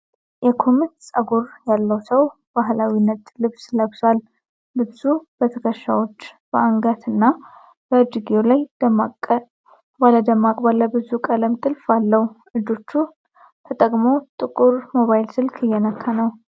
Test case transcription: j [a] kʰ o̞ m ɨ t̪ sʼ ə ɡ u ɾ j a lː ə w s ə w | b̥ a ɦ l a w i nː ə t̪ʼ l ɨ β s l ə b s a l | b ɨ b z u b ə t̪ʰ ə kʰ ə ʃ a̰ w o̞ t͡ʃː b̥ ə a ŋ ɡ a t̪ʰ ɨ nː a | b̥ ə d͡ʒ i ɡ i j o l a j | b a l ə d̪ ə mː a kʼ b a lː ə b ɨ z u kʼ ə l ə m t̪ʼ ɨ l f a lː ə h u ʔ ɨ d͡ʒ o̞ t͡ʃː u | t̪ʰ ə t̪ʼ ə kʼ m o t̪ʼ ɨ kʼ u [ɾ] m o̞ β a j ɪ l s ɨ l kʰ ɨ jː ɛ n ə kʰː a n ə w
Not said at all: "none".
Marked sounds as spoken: ɛ, ɾ

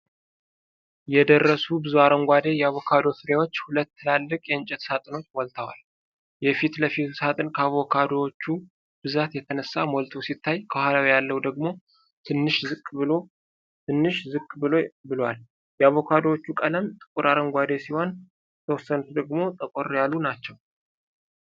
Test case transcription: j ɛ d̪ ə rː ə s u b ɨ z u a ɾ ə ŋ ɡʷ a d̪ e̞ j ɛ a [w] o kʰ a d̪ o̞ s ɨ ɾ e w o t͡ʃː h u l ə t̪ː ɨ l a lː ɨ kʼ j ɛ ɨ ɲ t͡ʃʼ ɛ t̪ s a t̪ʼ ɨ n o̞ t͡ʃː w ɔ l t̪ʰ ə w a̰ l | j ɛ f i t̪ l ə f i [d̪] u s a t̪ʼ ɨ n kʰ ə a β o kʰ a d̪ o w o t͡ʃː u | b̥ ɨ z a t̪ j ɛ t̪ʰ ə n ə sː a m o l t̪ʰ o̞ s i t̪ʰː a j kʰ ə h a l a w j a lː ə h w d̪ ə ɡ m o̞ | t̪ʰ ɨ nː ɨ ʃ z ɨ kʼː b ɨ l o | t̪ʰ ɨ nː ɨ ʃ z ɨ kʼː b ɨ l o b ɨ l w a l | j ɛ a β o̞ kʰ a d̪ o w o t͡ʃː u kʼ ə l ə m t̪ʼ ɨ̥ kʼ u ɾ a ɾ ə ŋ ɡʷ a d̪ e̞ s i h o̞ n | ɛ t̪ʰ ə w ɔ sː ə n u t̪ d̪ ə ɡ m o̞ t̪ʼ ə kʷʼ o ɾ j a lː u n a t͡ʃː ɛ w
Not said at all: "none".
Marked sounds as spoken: β, t̪

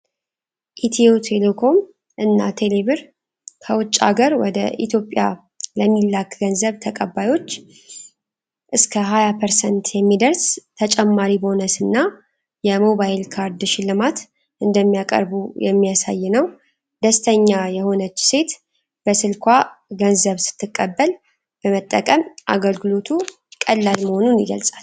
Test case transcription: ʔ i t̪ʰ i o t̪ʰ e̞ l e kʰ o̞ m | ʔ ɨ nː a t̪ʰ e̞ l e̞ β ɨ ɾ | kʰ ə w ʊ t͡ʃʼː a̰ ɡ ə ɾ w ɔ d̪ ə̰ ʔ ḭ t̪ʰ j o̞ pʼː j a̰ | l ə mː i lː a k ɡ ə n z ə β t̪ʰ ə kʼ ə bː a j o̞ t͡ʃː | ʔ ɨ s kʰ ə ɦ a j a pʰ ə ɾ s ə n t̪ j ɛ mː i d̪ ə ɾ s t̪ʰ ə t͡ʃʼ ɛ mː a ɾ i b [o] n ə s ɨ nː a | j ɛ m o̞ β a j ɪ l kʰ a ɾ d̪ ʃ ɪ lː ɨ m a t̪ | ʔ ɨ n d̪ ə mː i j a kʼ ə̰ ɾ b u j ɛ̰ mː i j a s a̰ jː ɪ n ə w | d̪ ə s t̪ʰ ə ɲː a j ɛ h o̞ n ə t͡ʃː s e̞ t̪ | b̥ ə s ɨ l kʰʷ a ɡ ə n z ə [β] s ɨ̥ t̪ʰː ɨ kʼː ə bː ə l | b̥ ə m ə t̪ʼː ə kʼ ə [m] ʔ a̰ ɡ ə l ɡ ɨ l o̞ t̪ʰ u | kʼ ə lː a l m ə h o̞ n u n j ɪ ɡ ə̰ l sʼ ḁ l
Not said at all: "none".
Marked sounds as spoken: o, β, m

